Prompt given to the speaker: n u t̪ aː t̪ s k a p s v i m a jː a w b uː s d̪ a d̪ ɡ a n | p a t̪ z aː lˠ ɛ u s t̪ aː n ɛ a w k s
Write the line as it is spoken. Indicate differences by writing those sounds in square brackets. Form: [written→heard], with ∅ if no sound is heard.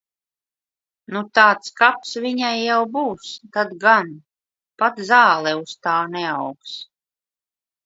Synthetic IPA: n u t̪ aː t̪ s k a p s v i [m→ɲ] a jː a w b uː s [d̪→t̪] a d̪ ɡ a n | p a t̪ z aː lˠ ɛ u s t̪ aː n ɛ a w k s